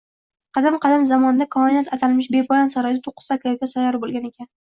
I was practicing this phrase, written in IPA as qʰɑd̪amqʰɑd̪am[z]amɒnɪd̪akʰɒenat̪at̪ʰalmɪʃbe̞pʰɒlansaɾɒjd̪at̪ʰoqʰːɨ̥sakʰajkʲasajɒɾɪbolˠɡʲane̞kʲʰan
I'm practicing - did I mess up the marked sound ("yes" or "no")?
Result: no